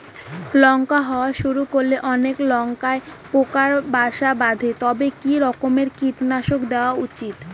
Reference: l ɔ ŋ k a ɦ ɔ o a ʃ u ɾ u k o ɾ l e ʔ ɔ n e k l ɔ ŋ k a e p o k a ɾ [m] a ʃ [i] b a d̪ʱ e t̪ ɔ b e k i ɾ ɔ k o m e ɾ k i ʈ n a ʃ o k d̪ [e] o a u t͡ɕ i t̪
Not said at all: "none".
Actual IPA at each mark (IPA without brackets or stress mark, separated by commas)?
b, a, e